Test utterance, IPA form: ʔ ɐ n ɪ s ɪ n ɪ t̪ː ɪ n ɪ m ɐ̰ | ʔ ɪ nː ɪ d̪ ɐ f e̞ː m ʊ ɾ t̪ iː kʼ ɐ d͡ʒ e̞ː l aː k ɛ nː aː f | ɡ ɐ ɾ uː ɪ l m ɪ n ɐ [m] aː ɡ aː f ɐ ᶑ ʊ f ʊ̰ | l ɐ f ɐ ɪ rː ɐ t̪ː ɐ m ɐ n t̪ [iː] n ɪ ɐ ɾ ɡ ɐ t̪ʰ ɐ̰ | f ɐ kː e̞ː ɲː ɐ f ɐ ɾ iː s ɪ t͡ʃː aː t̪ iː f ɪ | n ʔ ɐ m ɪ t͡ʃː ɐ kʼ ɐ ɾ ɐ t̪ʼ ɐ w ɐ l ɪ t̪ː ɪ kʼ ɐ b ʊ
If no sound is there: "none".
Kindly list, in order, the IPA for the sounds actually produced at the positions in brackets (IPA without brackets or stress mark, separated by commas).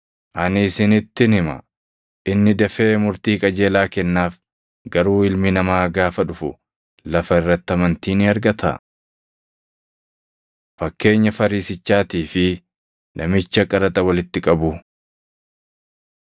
m, iː